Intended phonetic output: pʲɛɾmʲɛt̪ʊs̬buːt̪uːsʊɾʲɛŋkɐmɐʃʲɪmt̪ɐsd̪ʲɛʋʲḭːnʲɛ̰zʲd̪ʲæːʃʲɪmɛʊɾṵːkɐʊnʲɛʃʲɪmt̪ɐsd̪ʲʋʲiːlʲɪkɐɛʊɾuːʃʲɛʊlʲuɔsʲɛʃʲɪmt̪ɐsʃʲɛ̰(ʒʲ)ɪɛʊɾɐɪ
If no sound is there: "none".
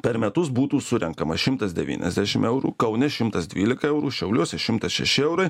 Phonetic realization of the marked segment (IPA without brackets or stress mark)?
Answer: ʃʲ